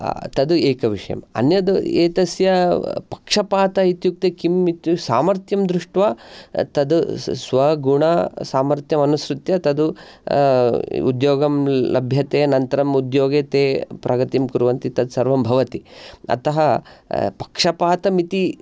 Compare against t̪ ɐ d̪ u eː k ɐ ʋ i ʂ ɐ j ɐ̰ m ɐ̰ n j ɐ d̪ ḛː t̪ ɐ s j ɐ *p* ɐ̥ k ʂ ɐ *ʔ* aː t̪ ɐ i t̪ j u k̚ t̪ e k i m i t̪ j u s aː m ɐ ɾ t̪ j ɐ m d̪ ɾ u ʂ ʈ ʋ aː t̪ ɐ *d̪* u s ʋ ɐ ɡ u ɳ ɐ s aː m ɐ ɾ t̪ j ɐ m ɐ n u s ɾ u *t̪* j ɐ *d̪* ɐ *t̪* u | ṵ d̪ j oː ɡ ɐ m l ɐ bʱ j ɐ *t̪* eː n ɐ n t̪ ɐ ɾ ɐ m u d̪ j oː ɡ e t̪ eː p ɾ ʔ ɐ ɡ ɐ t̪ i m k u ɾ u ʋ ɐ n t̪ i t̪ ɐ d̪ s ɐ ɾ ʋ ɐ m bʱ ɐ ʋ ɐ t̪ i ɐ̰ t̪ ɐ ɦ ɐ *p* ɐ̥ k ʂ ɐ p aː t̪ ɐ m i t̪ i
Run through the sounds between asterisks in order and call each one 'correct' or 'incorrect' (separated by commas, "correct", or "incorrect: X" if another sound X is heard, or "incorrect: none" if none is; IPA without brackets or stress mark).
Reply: correct, incorrect: p, correct, correct, incorrect: t̪, incorrect: d̪, correct, correct